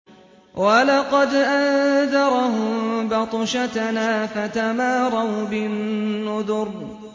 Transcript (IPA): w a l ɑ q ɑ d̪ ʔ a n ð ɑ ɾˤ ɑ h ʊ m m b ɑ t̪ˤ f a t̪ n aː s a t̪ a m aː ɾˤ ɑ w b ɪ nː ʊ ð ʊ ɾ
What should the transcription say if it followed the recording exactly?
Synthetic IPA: w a l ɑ q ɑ d̪ ʔ a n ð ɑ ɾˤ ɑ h ʊ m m b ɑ t̪ˤ ʃ a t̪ n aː f a t̪ a m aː ɾˤ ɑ w b ɪ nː ʊ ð ʊ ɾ